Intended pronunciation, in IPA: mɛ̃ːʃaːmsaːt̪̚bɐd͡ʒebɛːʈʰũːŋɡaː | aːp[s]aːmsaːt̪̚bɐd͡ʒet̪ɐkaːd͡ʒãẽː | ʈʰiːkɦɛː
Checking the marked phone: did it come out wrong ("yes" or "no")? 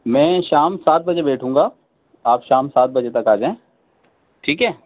yes